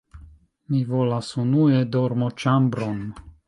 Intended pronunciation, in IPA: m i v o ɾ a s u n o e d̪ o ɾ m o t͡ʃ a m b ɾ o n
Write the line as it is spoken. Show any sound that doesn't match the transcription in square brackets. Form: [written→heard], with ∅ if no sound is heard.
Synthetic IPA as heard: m i v o [ɾ→l] a s u n [o→u] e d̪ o ɾ m o t͡ʃ a m b ɾ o n